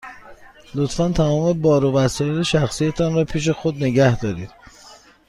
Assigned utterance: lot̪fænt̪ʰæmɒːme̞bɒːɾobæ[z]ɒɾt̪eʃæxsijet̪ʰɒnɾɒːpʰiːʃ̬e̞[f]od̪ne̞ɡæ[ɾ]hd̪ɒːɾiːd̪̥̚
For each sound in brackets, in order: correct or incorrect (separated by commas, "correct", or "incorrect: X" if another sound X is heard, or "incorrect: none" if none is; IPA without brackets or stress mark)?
incorrect: s, incorrect: x, incorrect: none